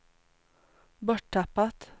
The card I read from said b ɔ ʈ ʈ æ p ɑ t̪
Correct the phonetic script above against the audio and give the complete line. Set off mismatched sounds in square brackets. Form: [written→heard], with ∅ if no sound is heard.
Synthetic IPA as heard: b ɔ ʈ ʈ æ p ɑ t̪